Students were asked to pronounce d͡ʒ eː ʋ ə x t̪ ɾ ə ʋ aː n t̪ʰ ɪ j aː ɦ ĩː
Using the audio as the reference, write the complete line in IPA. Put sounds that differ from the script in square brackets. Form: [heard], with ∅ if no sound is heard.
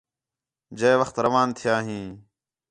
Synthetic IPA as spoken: d͡ʒ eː ʋ ə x t̪ ɾ ə ʋ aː n t̪ʰ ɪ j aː ɦ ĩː